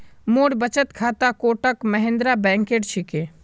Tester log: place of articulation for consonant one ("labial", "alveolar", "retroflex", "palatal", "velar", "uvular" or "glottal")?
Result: labial